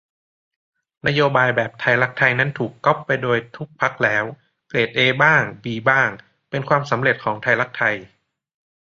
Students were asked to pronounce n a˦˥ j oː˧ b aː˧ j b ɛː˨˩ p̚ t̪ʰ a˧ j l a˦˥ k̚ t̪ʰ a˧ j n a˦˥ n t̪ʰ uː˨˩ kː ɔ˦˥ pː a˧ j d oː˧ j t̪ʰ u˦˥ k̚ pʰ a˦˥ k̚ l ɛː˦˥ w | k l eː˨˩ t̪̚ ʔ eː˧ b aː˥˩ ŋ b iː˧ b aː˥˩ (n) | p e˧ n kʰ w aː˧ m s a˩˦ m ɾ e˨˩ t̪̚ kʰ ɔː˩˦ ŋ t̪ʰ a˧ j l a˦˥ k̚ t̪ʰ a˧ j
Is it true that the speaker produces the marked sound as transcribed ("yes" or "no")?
no